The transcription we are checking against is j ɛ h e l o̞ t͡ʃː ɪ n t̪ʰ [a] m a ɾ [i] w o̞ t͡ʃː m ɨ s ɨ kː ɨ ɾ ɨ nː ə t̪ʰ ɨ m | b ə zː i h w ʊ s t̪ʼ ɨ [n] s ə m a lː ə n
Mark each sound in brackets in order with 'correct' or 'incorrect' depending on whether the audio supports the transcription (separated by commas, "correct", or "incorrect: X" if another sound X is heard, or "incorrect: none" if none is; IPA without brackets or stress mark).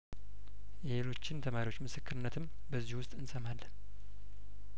incorrect: ə, correct, correct